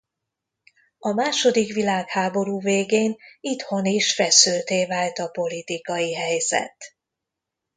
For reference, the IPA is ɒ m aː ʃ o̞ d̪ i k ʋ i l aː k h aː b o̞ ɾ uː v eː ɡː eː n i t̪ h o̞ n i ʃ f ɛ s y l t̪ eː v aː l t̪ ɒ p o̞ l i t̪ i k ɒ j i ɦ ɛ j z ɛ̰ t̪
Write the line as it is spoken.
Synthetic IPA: ɒ m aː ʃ o̞ d̪ i k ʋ i l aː k h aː b o̞ ɾ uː v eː ɡ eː n i t̪ h o̞ n i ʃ f ɛ s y l t̪ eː v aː l t̪ ɒ p o̞ l i t̪ i k ɒ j i ɦ ɛ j z ɛ̰ t̪